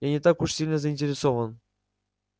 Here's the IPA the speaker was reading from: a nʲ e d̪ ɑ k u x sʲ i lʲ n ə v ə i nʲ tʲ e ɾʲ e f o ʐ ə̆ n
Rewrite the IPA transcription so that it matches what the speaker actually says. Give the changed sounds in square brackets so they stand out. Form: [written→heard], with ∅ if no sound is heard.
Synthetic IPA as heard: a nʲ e [d̪→t̪] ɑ k u [x→ʂ] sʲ i lʲ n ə [v→z] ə i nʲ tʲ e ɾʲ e [f→s] o [ʐ→v] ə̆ n